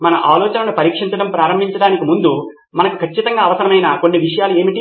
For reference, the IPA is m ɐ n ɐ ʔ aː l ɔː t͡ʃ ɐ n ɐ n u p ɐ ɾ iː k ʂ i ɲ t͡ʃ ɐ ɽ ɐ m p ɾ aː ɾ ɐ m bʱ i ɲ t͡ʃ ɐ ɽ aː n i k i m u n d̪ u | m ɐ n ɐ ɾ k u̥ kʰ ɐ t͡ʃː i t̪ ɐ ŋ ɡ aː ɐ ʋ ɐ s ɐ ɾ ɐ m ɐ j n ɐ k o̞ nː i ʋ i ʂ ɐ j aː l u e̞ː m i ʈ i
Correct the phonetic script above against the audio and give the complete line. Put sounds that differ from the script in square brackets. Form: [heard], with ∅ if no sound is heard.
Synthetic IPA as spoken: m ɐ n ɐ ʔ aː l ɔː t͡ʃ ɐ n ɐ n u p ɐ ɾ iː k ʂ i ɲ t͡ʃ ɐ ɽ ɐ m p ɾ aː ɾ ɐ m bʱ i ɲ t͡ʃ ɐ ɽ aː n i k i m u n d̪ u | m ɐ n ɐ [∅] k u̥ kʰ ɐ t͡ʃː i t̪ ɐ ŋ ɡ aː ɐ ʋ ɐ s ɐ ɾ ɐ m ɐ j n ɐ k o̞ nː i ʋ i ʂ ɐ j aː l u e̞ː m i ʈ i